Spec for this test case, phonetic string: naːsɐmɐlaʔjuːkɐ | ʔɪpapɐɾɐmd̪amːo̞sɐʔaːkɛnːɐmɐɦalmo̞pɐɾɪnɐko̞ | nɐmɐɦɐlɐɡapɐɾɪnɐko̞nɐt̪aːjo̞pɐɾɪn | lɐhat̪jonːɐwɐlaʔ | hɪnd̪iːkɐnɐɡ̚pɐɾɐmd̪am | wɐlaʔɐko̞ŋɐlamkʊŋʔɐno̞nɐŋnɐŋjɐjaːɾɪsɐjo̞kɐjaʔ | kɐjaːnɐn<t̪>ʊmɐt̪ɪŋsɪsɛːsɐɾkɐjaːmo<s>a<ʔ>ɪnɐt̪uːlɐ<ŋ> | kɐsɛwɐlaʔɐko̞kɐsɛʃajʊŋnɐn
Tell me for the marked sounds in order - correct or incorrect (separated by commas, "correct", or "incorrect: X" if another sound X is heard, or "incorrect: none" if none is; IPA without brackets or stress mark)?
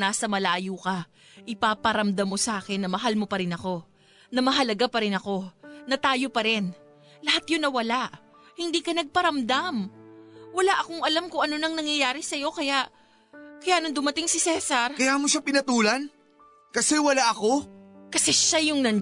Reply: incorrect: d̪, incorrect: ʃ, incorrect: p, incorrect: n